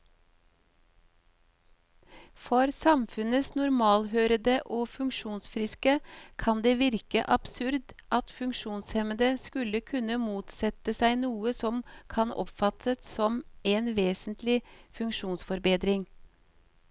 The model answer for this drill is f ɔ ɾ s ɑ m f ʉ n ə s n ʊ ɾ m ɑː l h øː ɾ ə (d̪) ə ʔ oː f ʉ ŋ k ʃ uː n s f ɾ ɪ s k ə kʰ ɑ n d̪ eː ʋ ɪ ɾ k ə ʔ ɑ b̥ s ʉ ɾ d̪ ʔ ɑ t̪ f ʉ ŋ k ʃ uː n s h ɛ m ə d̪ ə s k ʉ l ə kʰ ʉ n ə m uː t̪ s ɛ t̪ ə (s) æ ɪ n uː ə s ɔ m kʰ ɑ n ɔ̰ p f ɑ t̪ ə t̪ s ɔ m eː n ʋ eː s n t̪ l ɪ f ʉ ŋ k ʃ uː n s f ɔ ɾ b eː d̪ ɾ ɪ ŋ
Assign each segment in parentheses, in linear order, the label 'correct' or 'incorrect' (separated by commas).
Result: correct, correct